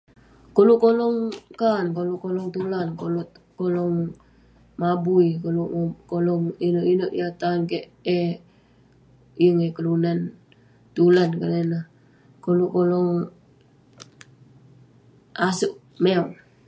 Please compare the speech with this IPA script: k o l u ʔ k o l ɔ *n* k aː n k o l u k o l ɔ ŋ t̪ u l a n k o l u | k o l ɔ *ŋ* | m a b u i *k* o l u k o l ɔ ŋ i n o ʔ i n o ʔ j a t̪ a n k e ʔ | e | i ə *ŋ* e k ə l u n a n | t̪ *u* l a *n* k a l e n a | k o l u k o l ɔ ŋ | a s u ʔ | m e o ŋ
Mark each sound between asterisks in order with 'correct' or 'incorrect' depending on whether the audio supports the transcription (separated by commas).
incorrect, correct, correct, correct, correct, correct